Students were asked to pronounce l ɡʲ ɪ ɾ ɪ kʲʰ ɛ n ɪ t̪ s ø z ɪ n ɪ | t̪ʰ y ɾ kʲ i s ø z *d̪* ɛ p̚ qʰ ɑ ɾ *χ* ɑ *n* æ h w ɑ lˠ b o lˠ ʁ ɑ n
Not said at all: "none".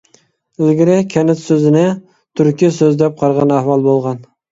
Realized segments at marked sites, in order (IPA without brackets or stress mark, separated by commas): d̪, ʁ, n